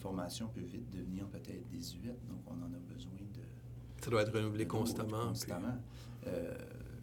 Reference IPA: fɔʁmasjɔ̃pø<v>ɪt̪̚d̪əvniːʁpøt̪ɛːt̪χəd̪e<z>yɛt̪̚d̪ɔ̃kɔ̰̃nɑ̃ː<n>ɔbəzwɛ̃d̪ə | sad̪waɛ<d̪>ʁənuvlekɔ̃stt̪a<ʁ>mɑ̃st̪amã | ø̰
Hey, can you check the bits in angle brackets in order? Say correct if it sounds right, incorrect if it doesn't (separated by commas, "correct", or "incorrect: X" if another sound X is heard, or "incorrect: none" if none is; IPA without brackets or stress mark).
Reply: correct, correct, correct, incorrect: t̪, incorrect: none